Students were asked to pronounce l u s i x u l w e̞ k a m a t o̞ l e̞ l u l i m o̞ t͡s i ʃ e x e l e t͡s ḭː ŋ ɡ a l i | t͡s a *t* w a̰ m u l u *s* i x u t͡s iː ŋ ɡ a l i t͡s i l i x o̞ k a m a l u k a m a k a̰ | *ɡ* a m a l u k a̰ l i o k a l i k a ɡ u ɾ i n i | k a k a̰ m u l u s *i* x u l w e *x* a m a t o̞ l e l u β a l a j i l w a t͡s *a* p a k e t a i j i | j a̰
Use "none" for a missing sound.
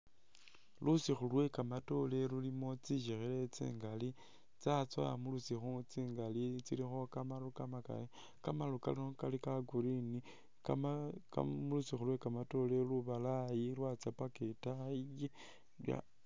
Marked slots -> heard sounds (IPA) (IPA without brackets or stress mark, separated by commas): t͡s, s, k, i, k, a